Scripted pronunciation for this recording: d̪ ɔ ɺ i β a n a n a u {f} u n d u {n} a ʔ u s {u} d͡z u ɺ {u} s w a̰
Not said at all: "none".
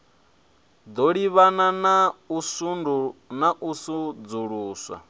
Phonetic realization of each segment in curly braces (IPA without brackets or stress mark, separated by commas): s, n, u, uː